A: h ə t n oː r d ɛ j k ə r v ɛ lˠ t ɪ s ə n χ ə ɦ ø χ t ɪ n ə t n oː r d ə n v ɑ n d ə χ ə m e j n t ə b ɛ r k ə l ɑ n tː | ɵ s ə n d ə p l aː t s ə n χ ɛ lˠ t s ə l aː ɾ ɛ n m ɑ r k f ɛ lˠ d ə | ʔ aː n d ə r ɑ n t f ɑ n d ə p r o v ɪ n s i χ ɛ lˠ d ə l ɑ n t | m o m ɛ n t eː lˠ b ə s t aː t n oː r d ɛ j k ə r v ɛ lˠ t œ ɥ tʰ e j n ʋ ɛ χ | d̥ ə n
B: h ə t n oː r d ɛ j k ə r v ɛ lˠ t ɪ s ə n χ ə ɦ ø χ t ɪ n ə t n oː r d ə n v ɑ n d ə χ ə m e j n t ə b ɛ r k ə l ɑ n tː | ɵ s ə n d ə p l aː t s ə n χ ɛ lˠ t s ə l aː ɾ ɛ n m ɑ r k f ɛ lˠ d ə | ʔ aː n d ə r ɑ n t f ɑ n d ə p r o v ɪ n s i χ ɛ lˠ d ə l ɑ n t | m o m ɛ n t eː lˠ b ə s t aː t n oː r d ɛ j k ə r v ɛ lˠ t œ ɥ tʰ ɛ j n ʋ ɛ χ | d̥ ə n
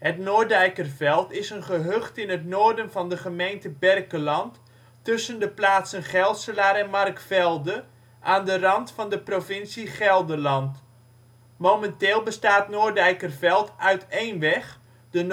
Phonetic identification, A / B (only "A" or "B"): A